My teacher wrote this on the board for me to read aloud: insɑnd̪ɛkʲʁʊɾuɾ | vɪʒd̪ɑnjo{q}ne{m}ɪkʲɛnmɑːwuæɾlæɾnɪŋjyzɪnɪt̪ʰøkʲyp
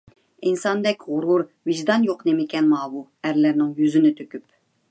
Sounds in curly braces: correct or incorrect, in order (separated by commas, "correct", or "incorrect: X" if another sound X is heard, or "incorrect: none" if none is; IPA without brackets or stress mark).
correct, correct